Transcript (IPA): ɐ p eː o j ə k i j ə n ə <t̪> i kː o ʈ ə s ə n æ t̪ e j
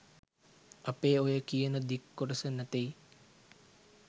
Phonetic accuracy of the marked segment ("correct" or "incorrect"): incorrect